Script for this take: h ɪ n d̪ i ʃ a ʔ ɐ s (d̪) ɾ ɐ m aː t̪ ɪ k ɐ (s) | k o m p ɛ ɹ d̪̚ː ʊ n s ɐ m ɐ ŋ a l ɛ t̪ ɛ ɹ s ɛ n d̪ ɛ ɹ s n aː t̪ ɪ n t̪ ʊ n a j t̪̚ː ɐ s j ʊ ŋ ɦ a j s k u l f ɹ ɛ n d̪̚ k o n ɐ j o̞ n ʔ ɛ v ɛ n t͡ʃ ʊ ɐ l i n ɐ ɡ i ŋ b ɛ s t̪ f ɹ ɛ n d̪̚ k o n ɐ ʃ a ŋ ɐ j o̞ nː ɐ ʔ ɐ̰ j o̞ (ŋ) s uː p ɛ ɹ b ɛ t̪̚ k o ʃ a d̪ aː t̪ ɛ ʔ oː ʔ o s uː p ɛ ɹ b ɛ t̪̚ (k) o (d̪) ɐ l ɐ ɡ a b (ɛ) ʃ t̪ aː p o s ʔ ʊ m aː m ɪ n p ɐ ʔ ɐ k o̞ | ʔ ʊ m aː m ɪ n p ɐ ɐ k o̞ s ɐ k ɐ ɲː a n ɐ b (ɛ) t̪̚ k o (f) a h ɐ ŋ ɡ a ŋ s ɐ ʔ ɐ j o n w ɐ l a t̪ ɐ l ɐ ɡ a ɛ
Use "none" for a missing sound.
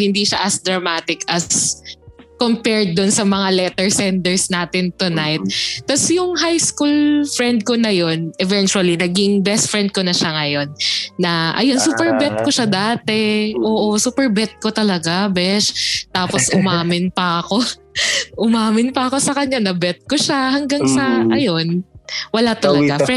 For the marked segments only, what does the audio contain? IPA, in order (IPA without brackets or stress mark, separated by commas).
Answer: d̪, s, n, k, t̪, ɛ, ɛ, ʃ